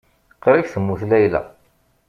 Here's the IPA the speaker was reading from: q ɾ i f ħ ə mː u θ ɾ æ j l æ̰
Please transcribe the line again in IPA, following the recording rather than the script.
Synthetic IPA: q ɾ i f θ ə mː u θ l æ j l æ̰